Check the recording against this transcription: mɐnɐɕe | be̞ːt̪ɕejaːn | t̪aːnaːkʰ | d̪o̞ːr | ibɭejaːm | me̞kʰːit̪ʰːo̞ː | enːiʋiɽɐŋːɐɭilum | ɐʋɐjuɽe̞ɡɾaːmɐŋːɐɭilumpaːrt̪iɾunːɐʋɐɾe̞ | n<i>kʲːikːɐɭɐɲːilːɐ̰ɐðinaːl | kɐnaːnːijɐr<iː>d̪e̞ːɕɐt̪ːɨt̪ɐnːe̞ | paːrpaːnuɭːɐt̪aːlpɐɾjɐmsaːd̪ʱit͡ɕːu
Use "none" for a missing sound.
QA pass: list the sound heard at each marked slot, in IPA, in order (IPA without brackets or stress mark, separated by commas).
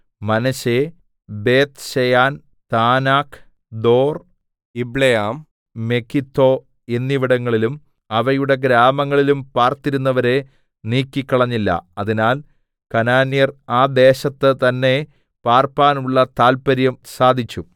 iː, aː